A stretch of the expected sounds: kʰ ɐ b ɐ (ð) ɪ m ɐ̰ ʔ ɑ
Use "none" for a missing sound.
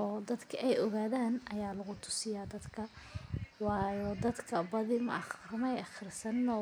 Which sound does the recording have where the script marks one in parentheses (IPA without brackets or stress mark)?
ð